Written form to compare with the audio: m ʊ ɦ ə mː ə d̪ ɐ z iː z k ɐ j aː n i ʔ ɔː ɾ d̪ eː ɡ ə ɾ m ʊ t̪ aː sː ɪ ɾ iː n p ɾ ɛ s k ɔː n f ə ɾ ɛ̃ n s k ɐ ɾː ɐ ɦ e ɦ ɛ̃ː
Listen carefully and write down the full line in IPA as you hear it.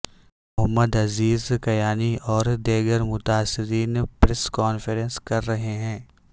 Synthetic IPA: m ʊ ɦ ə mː ə d̪ ɐ z iː z k ɐ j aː n i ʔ ɔː ɾ d̪ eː ɡ ə ɾ m ʊ t̪ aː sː ɪ ɾ iː n p ɾ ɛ s k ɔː n f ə ɾ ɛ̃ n s k ɐ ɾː ɐ ɦ e ɦ ɛ̃ː

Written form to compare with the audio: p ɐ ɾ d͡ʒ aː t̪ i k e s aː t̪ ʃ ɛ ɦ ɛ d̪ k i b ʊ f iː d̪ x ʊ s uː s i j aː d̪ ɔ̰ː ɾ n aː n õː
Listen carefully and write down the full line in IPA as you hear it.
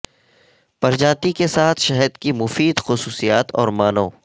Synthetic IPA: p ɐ ɾ d͡ʒ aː t̪ i k e s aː t̪ʰ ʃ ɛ ɦ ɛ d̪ k i m ʊ f iː d̪ x ʊ s uː s i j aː t̪ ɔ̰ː ɾ m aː n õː

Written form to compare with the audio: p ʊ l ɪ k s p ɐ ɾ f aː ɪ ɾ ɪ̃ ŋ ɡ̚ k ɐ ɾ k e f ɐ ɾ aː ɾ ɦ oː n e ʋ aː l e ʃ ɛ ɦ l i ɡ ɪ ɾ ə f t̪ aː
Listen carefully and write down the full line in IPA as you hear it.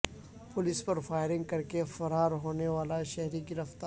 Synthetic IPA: p ʊ l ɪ s p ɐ ɾ f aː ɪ ɾ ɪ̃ ŋ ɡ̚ k ɐ ɾ k e f ɐ ɾ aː ɾ ɦ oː n e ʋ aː l a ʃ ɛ ɦ ɾ i ɡ ɪ ɾ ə f t̪ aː

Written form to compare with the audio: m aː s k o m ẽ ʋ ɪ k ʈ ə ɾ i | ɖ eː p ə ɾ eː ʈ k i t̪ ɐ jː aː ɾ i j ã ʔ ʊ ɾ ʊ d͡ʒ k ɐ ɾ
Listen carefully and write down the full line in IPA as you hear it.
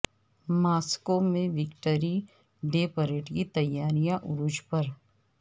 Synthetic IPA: m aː s k o m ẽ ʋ ɪ k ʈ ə ɾ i | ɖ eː p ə ɾ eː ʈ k i t̪ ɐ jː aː ɾ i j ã ʔ ʊ ɾ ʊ d͡ʒ p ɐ ɾ

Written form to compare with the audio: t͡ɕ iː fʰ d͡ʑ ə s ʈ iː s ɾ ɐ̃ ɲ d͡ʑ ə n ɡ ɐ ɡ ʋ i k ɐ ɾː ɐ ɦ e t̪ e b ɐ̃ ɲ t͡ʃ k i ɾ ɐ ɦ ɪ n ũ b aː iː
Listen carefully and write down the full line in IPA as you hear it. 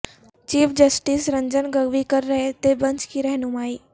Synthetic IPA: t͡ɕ iː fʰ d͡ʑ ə s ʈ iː s ɾ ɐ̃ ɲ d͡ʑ ə n ɡ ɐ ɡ ʋ i k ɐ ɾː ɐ ɦ e t̪ e b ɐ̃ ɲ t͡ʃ k i ɾ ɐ ɦ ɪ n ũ m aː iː

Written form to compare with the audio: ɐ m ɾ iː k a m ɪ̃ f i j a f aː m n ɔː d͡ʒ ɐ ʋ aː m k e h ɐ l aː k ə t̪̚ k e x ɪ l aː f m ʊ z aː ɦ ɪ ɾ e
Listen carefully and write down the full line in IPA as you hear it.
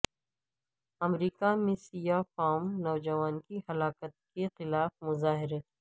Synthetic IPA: ɐ m ɾ iː k a m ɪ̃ s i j a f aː m n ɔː d͡ʒ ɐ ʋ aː n k i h ɐ l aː k ə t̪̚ k e x ɪ l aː f m ʊ z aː ɦ ɪ ɾ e

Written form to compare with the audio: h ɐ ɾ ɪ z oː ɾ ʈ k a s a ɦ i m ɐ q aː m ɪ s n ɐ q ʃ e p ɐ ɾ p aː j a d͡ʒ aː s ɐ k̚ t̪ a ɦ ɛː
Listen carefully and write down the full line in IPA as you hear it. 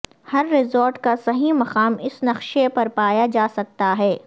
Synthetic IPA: h ɐ ɾː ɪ z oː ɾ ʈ k a s ɐ ɦ i m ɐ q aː m ɪ s n ɐ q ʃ e p ɐ ɾ p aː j a d͡ʒ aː s ɐ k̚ t̪ a ɦ ɛː

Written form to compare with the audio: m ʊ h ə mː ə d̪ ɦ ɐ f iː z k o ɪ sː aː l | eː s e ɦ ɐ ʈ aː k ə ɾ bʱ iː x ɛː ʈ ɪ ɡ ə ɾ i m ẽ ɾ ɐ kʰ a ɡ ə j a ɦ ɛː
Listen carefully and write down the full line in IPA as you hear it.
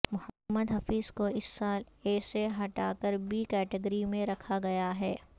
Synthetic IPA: m ʊ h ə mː ə d̪ ɦ ɐ f iː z k o ɪ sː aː l | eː s e ɦ ɐ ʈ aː k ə ɾ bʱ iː k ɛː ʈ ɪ ɡ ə ɾ i m ẽ ɾ ɐ kʰ a ɡ ɐ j a ɦ ɛː

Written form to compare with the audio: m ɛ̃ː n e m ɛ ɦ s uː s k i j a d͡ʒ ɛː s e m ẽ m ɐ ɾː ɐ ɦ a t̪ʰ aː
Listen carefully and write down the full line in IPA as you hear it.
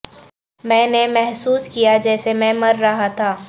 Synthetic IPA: m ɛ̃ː n e m ɛ ɦ s uː s k i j a d͡ʒ ɛː s e m ɛ̃ m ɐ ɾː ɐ ɦ a t̪ʰ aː

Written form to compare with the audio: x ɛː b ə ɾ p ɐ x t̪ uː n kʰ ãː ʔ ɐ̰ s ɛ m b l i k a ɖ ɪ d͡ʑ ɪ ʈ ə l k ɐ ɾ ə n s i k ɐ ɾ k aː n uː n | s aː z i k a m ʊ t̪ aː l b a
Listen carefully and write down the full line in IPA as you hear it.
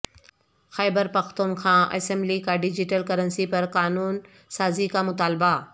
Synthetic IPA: x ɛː b ə ɾ p ɐ x t̪ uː n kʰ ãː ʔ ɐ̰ s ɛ m b l i k a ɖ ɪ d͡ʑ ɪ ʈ ə l k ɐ ɾ ə n s i p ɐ ɾ k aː n uː n | s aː z i k a m ʊ t̪ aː l b a

